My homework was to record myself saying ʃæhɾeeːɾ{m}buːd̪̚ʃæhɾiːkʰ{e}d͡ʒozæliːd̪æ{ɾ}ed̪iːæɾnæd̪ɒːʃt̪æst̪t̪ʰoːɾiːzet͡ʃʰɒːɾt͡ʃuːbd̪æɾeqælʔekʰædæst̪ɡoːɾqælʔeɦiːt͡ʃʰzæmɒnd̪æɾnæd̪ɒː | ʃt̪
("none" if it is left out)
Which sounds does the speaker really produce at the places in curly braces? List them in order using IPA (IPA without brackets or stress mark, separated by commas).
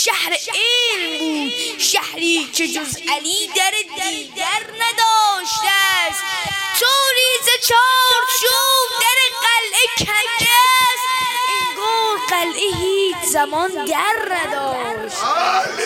m, e, ɾ